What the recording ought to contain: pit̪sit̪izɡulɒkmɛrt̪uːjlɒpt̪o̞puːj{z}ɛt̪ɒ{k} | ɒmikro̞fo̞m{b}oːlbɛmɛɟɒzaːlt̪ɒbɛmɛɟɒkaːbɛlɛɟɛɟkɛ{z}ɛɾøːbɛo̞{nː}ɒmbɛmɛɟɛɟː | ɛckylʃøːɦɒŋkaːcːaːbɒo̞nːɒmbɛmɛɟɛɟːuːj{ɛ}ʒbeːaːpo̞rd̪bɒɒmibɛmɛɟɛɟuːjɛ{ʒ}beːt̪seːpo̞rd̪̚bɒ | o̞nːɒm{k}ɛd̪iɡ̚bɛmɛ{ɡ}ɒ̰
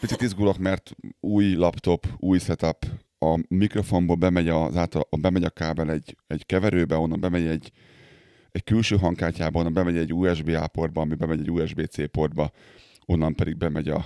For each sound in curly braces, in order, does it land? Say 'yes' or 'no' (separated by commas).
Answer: no, no, yes, no, yes, yes, yes, no, no